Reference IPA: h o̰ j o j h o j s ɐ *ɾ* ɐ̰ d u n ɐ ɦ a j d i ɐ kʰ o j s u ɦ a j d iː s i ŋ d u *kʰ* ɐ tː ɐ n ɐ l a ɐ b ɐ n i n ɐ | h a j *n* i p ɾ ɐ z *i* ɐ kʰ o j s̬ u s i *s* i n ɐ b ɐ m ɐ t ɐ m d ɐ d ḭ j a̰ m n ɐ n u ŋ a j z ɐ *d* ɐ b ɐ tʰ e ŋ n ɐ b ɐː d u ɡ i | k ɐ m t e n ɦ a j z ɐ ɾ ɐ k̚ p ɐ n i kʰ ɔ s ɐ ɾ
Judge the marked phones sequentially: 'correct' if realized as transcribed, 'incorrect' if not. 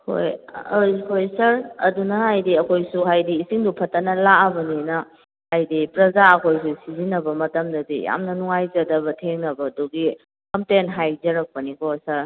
correct, incorrect: pʰ, incorrect: d, incorrect: a, incorrect: z, correct

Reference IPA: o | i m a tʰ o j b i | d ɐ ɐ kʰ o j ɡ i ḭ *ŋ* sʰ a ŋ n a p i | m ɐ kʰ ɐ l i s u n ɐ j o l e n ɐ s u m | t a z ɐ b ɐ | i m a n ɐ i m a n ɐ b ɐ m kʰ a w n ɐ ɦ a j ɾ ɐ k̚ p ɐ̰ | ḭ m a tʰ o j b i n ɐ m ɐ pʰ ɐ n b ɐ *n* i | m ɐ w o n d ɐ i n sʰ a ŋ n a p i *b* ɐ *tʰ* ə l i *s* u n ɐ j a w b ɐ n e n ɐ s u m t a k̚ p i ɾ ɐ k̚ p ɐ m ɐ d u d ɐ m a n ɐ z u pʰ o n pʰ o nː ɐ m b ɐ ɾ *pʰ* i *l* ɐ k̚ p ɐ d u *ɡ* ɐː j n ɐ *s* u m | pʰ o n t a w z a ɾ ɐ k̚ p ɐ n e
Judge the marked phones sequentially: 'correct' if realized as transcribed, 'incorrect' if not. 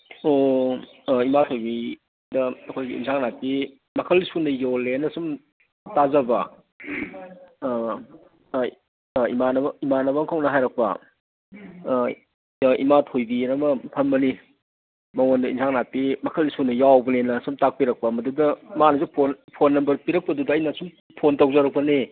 incorrect: n, correct, incorrect: m, incorrect: kʰ, correct, incorrect: p, incorrect: ɾ, incorrect: d, correct

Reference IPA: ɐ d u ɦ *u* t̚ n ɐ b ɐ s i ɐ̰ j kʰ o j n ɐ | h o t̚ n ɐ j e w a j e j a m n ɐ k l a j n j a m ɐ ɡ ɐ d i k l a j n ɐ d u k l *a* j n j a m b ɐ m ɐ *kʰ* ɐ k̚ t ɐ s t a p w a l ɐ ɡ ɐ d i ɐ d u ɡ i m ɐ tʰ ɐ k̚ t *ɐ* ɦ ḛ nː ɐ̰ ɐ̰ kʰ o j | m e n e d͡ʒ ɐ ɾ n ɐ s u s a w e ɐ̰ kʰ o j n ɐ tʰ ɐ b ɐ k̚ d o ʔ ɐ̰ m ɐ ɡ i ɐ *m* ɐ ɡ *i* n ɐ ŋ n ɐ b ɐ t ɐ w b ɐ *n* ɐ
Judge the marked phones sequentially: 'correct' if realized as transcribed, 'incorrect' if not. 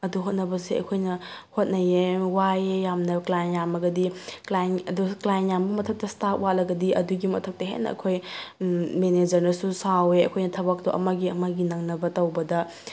incorrect: o, correct, incorrect: tʰ, correct, correct, correct, incorrect: d

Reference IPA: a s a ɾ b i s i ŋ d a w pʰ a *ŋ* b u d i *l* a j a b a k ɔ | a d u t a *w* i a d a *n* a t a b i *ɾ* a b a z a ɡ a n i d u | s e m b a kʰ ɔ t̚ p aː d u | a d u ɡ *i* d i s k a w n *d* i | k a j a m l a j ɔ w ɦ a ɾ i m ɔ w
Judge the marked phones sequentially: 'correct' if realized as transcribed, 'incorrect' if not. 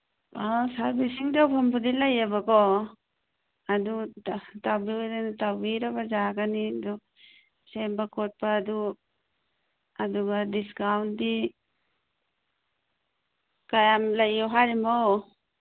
incorrect: m, correct, incorrect: b, correct, correct, incorrect: a, correct

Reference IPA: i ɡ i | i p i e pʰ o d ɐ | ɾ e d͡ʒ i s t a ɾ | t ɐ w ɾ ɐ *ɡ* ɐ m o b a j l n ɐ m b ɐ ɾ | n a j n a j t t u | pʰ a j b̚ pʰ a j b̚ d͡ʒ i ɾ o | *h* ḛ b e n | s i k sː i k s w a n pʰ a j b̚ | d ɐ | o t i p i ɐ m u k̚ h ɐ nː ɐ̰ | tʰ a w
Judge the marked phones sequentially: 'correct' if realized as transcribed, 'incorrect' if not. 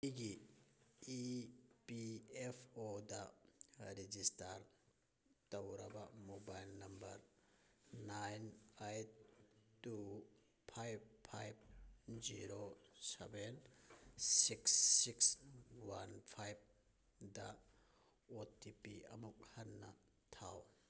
incorrect: b, incorrect: s

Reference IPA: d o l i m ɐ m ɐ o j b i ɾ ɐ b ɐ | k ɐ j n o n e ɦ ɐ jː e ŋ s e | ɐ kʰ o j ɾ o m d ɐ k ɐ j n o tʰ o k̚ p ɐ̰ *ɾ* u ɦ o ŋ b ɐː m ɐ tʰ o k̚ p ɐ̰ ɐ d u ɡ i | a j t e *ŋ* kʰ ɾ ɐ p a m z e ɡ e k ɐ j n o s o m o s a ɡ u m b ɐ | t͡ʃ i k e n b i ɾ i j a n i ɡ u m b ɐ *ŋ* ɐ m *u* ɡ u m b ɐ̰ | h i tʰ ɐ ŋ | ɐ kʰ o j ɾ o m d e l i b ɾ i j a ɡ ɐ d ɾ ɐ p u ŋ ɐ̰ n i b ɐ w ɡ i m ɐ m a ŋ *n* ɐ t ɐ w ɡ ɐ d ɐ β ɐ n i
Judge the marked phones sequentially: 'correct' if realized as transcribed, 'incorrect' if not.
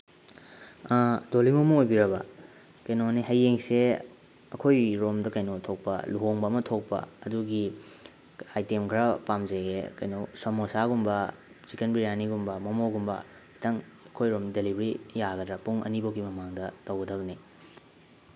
incorrect: l, incorrect: m, incorrect: m, incorrect: o, incorrect: d

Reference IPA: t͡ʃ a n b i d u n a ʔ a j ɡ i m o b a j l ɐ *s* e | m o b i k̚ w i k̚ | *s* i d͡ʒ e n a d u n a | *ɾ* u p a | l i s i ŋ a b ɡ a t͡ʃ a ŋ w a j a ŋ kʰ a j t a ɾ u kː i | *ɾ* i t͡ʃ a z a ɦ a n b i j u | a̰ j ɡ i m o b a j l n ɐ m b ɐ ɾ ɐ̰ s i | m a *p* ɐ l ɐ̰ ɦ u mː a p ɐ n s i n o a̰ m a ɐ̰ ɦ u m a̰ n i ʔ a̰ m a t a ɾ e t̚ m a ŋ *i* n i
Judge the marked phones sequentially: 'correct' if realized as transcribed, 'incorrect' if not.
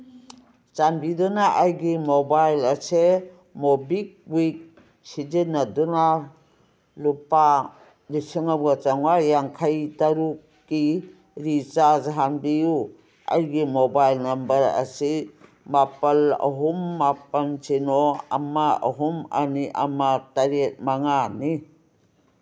correct, correct, incorrect: l, correct, correct, incorrect: a

